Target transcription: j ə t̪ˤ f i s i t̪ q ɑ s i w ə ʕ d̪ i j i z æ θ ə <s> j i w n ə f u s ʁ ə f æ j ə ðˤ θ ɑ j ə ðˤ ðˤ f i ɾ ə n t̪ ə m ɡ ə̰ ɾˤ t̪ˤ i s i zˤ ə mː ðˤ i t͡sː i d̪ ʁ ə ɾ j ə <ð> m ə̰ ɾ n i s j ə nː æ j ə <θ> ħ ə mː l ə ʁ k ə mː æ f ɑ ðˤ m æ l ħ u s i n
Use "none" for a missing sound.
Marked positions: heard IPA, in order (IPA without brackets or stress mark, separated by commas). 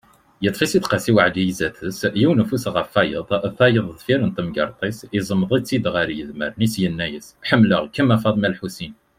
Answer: s, ð, s